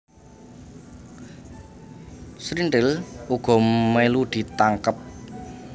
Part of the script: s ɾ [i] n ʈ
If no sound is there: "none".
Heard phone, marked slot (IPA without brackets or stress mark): i